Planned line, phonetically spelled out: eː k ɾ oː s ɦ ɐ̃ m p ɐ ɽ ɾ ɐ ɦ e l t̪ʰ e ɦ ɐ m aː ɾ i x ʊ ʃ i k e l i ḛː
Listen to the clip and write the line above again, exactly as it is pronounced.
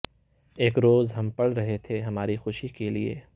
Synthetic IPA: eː k ɾ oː z ɦ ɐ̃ m p ɐ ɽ ɾ ɐ ɦ e t̪ʰ e ɦ ɐ m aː ɾ i x ʊ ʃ i k e l i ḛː

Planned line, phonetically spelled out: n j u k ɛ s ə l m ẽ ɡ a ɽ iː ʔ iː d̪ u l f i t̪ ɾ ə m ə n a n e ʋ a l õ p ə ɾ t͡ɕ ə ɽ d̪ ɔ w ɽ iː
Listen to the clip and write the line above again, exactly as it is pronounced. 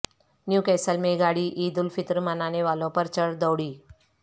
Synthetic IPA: n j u k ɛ s ə l m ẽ ɡ a ɽ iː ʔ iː d̪ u l f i t̪ ɾ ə m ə n a n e ʋ a l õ p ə ɾ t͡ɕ ə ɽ d̪ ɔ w ɽ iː

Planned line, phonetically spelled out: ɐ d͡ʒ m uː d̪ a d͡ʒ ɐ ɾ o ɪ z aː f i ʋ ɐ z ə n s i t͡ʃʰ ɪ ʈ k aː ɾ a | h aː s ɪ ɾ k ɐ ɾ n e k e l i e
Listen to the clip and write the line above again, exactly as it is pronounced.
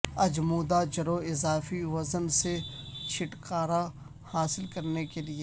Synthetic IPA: ɐ d͡ʒ m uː d̪ a d͡ʒ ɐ ɾ o ɪ z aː f i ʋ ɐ z ə n s e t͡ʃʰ ɪ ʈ k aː ɾ a | h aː s ɪ l k ɐ ɾ n e k e l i e

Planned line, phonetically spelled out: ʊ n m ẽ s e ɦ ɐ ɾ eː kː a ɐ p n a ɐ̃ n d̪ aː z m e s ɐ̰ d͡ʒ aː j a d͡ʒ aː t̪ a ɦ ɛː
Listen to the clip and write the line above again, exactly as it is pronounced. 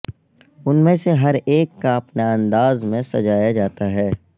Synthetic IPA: ʊ n m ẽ s e ɦ ɐ ɾ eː kː a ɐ p n a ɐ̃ n d̪ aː z m ẽ s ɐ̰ d͡ʒ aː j a d͡ʒ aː t̪ a ɦ ɛː

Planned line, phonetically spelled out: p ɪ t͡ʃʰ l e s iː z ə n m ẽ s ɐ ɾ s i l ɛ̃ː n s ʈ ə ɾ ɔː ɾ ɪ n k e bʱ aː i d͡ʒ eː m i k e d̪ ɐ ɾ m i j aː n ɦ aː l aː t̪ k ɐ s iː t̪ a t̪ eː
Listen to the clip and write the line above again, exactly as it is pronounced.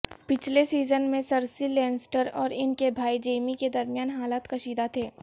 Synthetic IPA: p ɪ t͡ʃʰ l e s iː z ə n m ẽ s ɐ ɾ s i l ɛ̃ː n s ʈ ə ɾ ɔː ɾ ɪ n k e bʱ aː i d͡ʒ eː m i k e d̪ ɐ ɾ m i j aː n ɦ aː l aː t̪ k ɐ ʃ iː d̪ a t̪ʰ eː

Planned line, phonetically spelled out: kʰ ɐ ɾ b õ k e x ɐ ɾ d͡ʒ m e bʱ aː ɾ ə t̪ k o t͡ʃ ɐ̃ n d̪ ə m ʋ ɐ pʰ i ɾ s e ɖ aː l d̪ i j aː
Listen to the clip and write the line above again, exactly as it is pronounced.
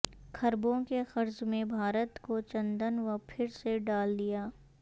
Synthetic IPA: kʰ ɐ ɾ b õ k e x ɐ ɾ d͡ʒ m ẽ bʱ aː ɾ ə t̪ k o t͡ʃ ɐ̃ n d̪ ə n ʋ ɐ pʰ ɪ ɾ s e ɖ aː l d̪ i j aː

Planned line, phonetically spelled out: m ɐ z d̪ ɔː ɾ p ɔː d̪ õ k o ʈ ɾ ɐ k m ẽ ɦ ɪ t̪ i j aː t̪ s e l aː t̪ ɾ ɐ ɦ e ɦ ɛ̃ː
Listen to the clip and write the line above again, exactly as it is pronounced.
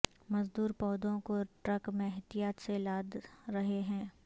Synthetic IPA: m ɐ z d̪ uː ɾ p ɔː d̪ õ k o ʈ ɾ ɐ k m ẽ ɦ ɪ t̪ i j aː t̪ s e l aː d̪ ɾ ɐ ɦ e ɦ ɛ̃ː

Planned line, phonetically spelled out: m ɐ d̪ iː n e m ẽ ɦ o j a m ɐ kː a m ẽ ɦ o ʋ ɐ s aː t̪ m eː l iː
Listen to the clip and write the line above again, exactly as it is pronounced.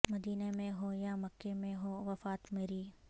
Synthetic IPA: m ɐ d̪ iː n e m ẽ ɦ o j a m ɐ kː e m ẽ ɦ o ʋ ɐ f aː t̪ m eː ɾ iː

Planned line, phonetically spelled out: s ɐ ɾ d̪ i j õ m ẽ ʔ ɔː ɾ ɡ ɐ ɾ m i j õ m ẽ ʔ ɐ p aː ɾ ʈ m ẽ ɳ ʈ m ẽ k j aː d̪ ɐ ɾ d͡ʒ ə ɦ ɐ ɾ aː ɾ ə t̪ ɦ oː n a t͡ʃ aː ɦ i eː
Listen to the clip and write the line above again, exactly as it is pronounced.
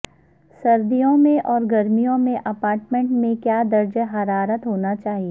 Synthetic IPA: s ɐ ɾ d̪ i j õ m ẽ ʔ ɔː ɾ ɡ ɐ ɾ m i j õ m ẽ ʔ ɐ p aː ɾ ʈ m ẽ ɳ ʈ m ẽ k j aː d̪ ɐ ɾ d͡ʒ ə ɦ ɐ ɾ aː ɾ ə t̪ ɦ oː n a t͡ʃ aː ɦ i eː

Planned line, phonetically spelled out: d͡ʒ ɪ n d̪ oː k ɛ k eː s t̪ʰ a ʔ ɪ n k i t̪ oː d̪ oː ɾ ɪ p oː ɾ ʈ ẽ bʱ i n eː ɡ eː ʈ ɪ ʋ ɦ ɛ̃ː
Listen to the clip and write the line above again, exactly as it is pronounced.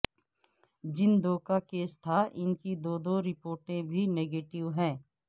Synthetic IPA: d͡ʒ ɪ n d̪ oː k a k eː s t̪ʰ a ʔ ɪ n k i d̪ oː d̪ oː ɾ ɪ p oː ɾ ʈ ẽ bʱ i n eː ɡ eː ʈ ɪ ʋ ɦ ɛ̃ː

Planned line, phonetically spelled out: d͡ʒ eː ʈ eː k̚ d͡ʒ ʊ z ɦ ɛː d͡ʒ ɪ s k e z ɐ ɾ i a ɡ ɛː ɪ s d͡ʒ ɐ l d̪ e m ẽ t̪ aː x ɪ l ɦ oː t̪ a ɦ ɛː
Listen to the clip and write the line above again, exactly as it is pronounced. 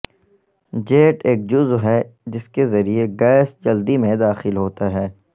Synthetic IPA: d͡ʒ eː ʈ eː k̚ d͡ʒ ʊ z ɦ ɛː d͡ʒ ɪ s k e z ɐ ɾ i e ɡ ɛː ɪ s d͡ʒ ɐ l d̪ i m ẽ d̪ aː x ɪ l ɦ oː t̪ a ɦ ɛː

